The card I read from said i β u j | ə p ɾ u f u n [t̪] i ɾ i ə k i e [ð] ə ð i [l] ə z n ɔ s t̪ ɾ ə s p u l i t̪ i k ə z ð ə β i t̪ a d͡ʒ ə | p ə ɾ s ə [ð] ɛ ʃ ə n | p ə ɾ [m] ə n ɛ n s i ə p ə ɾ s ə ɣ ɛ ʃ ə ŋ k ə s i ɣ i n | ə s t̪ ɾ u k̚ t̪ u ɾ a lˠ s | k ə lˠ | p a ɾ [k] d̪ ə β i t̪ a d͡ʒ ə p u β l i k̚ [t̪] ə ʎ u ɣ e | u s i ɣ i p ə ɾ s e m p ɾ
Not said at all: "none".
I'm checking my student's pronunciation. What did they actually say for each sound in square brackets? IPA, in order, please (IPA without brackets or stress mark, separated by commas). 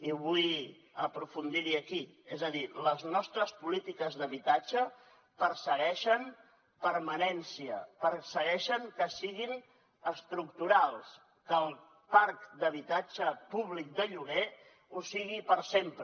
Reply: d̪, z, l, ɣ, m, k, d̪